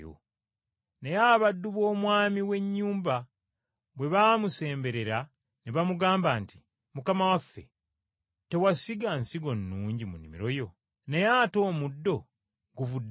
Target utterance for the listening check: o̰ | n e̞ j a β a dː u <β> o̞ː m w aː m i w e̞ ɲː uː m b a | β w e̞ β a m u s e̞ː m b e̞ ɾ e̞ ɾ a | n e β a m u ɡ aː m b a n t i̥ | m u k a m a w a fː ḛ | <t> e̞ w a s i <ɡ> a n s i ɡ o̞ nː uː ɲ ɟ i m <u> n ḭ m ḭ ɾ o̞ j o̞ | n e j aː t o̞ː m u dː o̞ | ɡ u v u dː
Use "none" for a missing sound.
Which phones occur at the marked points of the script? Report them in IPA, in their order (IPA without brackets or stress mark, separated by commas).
β, t, ɡ, u